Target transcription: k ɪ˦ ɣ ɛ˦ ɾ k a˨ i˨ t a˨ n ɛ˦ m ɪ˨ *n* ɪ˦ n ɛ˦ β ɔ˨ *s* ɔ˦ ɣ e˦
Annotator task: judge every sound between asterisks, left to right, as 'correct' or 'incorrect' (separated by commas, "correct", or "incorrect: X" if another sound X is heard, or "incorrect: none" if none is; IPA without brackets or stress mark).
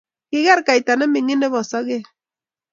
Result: incorrect: ŋ, correct